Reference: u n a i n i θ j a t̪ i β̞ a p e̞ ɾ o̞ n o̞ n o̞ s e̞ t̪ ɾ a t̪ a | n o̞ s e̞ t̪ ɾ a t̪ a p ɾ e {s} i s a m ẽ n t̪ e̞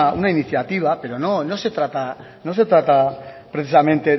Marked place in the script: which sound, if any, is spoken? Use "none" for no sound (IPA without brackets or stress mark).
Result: θ